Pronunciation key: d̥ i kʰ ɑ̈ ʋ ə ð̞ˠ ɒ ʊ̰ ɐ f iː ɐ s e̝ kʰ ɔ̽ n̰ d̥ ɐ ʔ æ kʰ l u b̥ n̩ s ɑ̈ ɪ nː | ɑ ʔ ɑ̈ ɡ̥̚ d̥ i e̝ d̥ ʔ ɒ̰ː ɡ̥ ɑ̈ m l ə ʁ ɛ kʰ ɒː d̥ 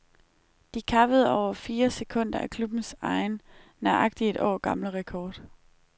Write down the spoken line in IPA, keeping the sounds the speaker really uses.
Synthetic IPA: d̥ i kʰ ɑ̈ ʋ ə ð̞ˠ ɒ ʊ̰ ɐ f iː ɐ s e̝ kʰ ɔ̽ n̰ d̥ ɐ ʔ æ kʰ l u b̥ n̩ s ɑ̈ ɪ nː | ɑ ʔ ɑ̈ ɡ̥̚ d̥ i e̝ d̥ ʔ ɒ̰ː ɡ̥ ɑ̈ m l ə ʁ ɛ kʰ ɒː d̥